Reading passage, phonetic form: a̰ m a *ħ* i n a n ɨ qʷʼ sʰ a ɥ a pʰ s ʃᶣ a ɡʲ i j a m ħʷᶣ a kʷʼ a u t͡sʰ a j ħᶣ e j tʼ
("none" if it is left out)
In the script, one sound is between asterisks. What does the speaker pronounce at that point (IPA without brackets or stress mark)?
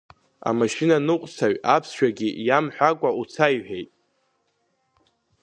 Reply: ʃ